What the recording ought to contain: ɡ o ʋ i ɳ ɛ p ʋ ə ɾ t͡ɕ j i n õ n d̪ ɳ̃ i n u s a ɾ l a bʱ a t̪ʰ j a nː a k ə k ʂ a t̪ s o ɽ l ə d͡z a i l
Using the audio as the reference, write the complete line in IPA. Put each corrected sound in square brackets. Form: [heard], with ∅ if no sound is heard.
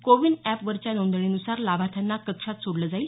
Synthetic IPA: [k] o ʋ i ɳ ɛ p ʋ ə ɾ t͡ɕ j [a] n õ n d̪ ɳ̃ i n u s a ɾ l a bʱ a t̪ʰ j a nː a k ə k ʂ a t̪ s o ɽ l ə d͡z a i l